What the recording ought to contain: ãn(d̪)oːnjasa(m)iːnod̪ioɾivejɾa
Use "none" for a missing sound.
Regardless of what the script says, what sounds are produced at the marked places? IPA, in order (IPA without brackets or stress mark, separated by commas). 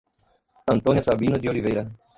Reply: t̪, b